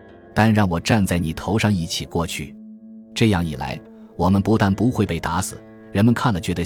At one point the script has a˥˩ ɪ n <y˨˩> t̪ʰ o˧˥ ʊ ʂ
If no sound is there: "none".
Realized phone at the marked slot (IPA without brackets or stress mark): i˨˩